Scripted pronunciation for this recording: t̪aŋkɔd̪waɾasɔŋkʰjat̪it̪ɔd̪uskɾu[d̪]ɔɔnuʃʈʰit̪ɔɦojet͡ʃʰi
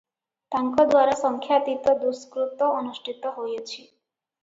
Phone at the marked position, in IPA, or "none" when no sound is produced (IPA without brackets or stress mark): t̪